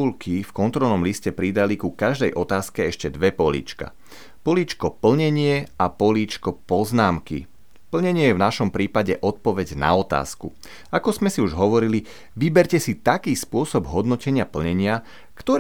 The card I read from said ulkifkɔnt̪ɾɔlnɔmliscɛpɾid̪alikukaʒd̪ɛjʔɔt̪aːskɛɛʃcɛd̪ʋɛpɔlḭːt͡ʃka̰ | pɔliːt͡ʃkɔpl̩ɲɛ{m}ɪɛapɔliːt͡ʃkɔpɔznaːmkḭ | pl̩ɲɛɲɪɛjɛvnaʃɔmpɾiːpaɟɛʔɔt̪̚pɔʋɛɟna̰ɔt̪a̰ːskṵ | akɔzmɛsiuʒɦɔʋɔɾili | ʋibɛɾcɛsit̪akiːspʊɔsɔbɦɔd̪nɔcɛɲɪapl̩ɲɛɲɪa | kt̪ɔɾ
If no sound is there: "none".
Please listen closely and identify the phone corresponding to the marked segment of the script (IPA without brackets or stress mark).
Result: ɲ